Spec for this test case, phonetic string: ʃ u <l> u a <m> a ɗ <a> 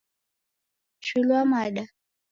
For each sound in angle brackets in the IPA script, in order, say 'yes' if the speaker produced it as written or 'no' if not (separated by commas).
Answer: yes, yes, yes